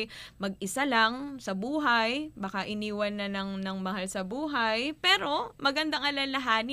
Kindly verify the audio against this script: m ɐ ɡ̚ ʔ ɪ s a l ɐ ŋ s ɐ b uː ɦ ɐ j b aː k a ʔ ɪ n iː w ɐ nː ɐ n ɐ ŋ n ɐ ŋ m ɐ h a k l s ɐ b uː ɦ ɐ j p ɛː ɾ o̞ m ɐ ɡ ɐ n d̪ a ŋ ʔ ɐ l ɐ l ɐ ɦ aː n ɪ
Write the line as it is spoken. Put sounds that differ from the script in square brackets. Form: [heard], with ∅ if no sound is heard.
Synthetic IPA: m ɐ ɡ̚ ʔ ɪ s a l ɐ ŋ s ɐ b uː ɦ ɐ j b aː k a ʔ ɪ n iː w ɐ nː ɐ n ɐ ŋ n ɐ ŋ m ɐ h a [∅] l s ɐ b uː ɦ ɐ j p ɛː ɾ o̞ m ɐ ɡ ɐ n d̪ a ŋ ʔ ɐ l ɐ l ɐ ɦ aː n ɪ